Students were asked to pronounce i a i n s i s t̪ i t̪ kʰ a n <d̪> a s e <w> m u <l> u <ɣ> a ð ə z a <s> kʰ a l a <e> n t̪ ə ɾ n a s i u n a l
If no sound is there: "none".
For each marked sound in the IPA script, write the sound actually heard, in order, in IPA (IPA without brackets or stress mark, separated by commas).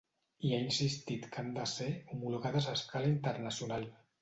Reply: d̪, u, l, ɣ, s, i